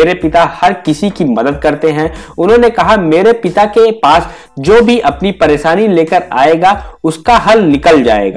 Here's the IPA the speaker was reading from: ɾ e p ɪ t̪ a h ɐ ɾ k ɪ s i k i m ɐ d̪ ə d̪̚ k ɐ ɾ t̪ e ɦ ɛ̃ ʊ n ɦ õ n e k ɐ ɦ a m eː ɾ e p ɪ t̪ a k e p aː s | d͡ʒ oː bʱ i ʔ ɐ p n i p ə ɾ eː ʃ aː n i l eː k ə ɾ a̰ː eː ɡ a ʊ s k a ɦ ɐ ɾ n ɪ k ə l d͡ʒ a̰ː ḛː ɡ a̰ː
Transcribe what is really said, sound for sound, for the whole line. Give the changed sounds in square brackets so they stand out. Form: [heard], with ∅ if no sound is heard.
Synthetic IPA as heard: ɾ e p ɪ t̪ a h ɐ ɾ k ɪ s i k i m ɐ d̪ ə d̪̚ k ɐ ɾ t̪ e ɦ ɛ̃ ʊ n ɦ õ n e k ɐ ɦ a m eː ɾ e p ɪ t̪ a k e p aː s | d͡ʒ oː bʱ i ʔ ɐ p n i p [ɐ] ɾ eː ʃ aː n i l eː k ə ɾ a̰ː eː ɡ a ʊ s k a ɦ ɐ [l] n ɪ k ə l d͡ʒ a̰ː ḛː ɡ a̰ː